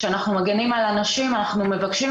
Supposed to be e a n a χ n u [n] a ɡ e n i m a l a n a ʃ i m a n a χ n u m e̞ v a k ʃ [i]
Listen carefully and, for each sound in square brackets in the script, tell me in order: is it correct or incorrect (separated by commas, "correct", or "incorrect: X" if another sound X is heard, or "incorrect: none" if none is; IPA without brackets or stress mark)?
incorrect: m, correct